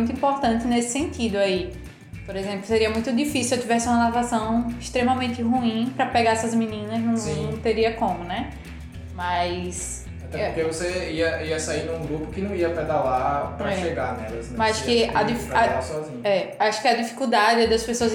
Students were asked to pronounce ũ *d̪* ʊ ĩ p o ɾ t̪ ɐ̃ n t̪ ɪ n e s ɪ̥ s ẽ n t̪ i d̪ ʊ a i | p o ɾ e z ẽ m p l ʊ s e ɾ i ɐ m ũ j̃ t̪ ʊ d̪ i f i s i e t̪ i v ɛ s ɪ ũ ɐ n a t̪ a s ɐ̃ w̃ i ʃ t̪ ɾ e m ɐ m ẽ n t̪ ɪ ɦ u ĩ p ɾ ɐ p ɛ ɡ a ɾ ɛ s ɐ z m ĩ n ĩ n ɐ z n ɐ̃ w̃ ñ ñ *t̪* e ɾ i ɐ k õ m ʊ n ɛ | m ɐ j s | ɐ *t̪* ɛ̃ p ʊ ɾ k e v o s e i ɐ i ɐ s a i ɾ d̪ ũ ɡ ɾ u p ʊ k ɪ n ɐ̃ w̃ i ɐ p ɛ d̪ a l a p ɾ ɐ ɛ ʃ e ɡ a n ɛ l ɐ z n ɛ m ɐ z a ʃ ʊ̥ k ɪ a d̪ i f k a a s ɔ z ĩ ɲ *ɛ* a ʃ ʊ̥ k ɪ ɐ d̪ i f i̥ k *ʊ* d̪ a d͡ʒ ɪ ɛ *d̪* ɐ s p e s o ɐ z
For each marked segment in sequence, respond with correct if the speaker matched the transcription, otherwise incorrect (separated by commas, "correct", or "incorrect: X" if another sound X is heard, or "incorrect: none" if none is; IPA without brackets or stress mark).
incorrect: t̪, correct, correct, correct, incorrect: u, correct